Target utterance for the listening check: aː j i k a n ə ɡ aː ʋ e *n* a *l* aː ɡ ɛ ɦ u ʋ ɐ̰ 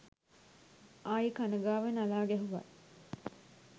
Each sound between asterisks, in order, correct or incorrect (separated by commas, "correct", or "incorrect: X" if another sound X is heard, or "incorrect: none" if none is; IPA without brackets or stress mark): correct, correct